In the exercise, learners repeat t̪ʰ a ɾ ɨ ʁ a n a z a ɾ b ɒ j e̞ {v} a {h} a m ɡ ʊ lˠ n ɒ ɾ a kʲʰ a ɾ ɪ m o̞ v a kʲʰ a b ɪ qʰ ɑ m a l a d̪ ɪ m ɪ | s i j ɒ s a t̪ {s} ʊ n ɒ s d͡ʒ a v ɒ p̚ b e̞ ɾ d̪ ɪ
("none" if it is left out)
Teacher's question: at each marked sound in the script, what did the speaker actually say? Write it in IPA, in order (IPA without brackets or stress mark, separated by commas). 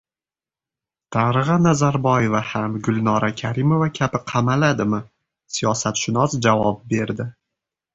v, h, ʃ